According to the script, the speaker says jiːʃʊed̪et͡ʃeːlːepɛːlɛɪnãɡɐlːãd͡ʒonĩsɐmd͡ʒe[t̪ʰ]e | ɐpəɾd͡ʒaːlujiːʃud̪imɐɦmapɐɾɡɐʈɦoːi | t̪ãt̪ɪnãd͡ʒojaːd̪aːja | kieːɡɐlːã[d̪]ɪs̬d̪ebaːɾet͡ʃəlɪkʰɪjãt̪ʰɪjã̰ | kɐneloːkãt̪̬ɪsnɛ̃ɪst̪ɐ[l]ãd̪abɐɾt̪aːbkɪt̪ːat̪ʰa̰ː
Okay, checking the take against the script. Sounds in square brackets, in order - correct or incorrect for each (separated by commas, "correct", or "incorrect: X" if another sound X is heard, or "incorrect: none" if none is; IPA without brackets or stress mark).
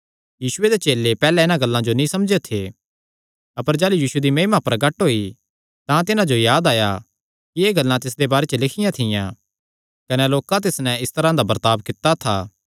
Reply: correct, incorrect: t̪, incorrect: ɾ